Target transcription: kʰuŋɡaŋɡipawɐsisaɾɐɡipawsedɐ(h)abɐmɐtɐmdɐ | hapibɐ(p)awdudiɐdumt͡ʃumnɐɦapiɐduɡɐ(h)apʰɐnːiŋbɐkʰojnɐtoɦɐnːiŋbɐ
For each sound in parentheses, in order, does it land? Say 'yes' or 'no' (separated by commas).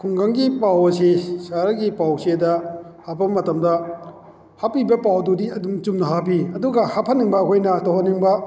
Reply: yes, yes, yes